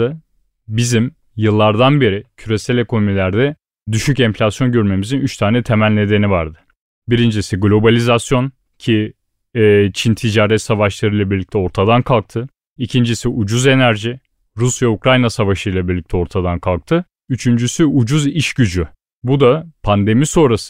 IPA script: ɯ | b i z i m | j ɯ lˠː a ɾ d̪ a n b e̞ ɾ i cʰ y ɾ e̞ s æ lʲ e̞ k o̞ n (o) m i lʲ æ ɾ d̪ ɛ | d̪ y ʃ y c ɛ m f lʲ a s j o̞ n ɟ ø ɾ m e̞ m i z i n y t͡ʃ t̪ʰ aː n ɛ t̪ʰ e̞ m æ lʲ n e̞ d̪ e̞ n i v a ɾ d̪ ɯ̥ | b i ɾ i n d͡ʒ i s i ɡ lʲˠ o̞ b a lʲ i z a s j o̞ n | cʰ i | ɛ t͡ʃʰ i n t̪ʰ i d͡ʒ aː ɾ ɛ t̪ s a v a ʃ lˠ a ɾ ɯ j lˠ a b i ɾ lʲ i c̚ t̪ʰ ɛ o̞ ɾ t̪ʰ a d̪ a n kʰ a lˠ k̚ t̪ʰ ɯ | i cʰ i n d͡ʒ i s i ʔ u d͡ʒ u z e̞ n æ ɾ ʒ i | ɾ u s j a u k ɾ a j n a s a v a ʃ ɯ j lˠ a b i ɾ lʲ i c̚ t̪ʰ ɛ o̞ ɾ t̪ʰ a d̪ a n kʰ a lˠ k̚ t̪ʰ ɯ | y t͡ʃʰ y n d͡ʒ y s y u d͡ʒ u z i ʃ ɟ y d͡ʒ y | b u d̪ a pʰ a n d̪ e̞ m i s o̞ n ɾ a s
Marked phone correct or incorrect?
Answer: correct